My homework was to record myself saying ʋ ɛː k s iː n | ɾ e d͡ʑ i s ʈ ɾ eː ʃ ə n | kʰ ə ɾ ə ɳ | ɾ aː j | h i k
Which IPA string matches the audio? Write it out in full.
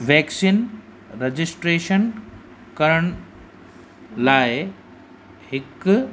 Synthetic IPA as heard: ʋ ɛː k s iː n | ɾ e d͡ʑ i s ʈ ɾ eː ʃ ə n | k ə ɾ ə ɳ | l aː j | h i k